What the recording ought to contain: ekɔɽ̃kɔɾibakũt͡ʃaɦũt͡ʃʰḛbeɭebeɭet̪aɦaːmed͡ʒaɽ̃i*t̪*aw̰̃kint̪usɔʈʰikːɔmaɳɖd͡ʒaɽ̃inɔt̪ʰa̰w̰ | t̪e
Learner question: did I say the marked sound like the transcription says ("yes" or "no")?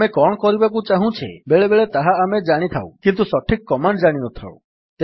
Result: no